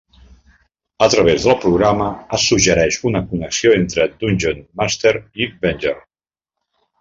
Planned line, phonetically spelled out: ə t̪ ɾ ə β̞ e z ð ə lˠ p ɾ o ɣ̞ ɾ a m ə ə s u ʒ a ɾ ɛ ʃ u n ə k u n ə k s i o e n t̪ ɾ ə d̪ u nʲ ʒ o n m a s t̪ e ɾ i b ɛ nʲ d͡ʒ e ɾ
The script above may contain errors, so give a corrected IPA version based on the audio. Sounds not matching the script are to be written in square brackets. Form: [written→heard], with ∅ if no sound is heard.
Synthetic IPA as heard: ə t̪ ɾ ə β̞ e z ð ə lˠ p ɾ [o→u] ɣ̞ ɾ a m ə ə s u ʒ [a→ə] ɾ ɛ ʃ u n ə k u n ə k s i o e n t̪ ɾ ə d̪ u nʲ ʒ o n m a s t̪ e ɾ i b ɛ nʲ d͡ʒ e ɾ

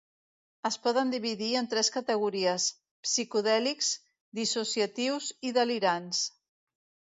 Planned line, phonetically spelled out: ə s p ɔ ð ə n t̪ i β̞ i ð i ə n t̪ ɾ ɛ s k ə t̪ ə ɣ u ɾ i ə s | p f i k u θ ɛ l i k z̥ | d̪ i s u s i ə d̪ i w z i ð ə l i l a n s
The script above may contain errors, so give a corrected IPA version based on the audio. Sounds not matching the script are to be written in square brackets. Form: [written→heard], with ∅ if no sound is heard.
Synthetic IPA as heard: ə s p ɔ ð ə n [t̪→d̪] i β̞ i ð i ə n t̪ ɾ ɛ s k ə t̪ ə ɣ u ɾ i ə s | p [f→s] i k u [θ→ð] ɛ l i k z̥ | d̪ i s u s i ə [d̪→t̪] i w z i ð ə l i [l→ɾ] a n s

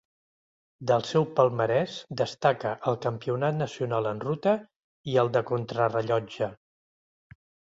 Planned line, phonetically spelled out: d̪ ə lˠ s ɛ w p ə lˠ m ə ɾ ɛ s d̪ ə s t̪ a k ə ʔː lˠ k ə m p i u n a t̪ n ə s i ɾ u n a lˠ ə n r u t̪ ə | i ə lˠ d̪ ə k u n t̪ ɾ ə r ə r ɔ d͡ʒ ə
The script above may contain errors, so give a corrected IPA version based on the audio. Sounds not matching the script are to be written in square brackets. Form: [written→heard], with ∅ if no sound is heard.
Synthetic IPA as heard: d̪ ə lˠ s ɛ w p ə lˠ m ə ɾ ɛ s d̪ ə s t̪ a k ə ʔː lˠ k ə m p i u n a t̪ n ə s i [ɾ→∅] u n a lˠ ə n r u t̪ ə | i ə lˠ d̪ ə k u n t̪ ɾ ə r ə [r→ʎ] ɔ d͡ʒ ə

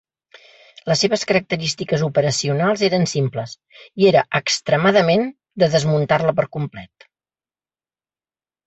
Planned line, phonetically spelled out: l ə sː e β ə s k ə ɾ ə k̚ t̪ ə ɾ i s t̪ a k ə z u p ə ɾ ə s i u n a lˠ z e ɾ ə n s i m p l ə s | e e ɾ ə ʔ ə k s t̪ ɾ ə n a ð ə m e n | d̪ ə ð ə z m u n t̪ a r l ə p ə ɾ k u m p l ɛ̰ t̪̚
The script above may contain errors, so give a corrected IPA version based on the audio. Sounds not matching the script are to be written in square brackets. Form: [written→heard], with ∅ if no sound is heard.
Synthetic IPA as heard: l ə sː e β ə s k ə ɾ ə k̚ t̪ ə ɾ i s t̪ [a→i] k ə z u p ə ɾ ə s i u n a lˠ z e ɾ ə n s i m p l ə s | [e→i] e ɾ ə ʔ ə k s t̪ ɾ ə [n→m] a ð ə m e n | d̪ ə ð ə z m u n t̪ a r l ə p ə ɾ k u m p l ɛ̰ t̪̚

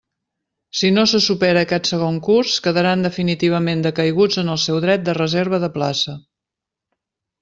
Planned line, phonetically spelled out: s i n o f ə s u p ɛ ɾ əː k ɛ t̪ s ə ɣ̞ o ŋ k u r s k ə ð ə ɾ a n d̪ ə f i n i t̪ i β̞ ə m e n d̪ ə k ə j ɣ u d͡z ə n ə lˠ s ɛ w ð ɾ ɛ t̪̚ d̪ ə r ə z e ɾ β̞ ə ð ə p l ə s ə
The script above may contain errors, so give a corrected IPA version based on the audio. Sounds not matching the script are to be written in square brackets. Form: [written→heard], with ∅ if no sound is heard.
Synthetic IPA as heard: s i n o [f→s] ə s u p ɛ ɾ əː k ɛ t̪ s ə ɣ̞ o ŋ k u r s k ə ð ə ɾ a n d̪ ə f i n i t̪ i β̞ ə m e n d̪ ə k ə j ɣ u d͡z ə n ə lˠ s ɛ w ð ɾ ɛ t̪̚ d̪ ə r ə z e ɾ β̞ ə ð ə p l [ə→a] s ə

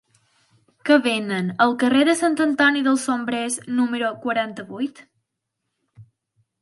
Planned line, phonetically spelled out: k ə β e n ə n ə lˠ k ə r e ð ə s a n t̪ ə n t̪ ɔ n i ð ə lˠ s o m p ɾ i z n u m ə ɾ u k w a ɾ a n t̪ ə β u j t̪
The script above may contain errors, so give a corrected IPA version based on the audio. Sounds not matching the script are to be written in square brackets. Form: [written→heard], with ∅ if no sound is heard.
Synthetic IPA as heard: k ə β e n ə n ə lˠ k ə r e ð ə s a n t̪ ə n t̪ ɔ n i ð ə lˠ s o m [p→b] ɾ [i→e] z n u m ə ɾ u k w [a→ə] ɾ a n t̪ ə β u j t̪

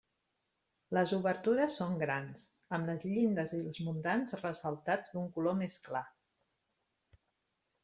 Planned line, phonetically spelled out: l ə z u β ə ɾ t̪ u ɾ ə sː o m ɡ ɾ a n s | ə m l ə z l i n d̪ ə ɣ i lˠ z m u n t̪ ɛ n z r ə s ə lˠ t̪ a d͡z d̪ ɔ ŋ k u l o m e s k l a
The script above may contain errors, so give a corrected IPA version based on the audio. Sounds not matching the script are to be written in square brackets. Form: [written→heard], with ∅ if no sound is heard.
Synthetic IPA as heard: l ə z u β ə ɾ t̪ u ɾ ə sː o [m→ŋ] ɡ ɾ a n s | ə m l ə z [l→ʎ] i n d̪ ə [ɣ→z] i lˠ z m u n t̪ [ɛ→a] n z r ə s ə lˠ t̪ a d͡z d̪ [ɔ→u] ŋ k u l o m e s k l a

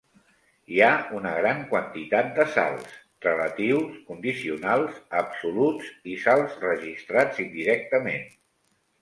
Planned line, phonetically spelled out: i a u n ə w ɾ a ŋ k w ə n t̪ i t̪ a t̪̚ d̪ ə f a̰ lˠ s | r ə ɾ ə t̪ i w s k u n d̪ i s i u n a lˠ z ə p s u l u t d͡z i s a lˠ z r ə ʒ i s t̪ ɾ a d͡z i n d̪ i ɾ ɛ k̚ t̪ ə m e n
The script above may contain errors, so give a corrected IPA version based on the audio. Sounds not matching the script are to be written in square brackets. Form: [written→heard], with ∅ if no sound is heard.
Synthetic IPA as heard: i a u n ə [w→ɣ] ɾ a ŋ k w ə n t̪ i t̪ a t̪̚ d̪ ə [f→s] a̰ lˠ s | r ə [ɾ→l] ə t̪ i w s k u n d̪ i s i u n a lˠ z ə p s u l u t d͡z i s a lˠ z r ə ʒ i s t̪ ɾ a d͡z i n d̪ i ɾ ɛ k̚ t̪ ə m e n

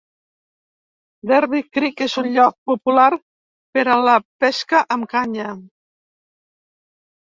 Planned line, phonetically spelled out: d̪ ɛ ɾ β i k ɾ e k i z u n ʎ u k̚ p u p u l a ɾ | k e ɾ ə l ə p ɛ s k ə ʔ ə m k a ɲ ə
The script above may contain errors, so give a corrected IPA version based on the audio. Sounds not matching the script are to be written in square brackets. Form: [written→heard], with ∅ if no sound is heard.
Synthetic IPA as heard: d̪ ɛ ɾ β i k ɾ [e→i] k [i→e] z u n ʎ [u→ɔ] k̚ p u p u l a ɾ | [k→p] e ɾ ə l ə p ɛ s k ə ʔ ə m k a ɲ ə

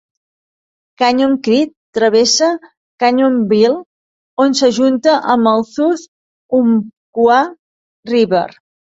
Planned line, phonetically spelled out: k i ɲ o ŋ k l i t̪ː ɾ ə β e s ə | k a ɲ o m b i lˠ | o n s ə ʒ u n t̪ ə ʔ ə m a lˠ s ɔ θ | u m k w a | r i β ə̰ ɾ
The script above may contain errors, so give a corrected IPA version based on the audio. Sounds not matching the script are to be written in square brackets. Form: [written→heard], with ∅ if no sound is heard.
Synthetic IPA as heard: k [i→a] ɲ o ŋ k [l→ɾ] i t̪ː ɾ ə β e s ə | k a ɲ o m b i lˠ | o n s ə ʒ u n t̪ ə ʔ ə m [a→ə] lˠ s [ɔ→u] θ | u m k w a | r i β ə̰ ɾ

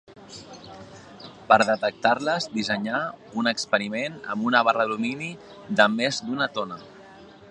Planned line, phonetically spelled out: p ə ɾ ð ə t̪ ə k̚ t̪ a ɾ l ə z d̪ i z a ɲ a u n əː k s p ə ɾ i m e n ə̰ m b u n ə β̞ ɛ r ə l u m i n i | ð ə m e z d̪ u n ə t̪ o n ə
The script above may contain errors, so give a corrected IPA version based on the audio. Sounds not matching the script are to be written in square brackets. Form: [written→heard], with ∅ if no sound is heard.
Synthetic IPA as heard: p ə ɾ ð ə t̪ ə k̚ t̪ a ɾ l ə z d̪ i z [a→ə] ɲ a u n [əː→ə] k s p ə ɾ i m e n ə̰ m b u n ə β̞ [ɛ→a] r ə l u m i n i | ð ə m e z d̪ u n ə t̪ o n ə

